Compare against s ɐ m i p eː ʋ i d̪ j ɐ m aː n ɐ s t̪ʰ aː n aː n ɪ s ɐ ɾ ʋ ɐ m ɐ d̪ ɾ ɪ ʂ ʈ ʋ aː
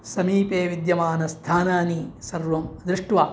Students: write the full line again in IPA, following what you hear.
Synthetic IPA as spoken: s ɐ m iː p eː ʋ i d̪ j ɐ m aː n ɐ s t̪ʰ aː n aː n i s ɐ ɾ ʋ ɐ m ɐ d̪ ɾ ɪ ʂ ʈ ʋ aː